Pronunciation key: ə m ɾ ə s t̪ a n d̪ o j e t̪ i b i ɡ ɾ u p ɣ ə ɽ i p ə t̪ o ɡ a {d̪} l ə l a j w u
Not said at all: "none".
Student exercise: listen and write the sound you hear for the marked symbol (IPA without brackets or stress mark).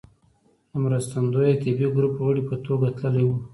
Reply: t̪